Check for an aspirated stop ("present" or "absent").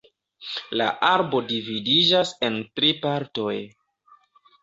absent